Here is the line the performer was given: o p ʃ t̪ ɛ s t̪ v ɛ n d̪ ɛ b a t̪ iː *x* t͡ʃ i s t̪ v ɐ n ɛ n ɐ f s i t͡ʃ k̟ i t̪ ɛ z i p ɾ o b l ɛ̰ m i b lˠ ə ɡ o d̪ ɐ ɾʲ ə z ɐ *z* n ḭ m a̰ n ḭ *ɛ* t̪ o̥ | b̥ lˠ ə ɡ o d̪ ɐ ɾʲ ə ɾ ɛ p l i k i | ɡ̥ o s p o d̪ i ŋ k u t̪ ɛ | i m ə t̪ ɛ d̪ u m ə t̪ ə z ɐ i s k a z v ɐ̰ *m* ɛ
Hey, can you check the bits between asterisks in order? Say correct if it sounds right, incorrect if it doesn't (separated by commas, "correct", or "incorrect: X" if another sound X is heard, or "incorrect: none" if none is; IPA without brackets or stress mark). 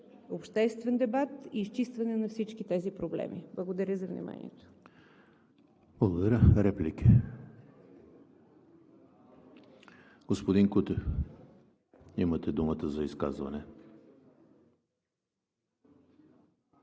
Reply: incorrect: s, incorrect: v, correct, incorrect: n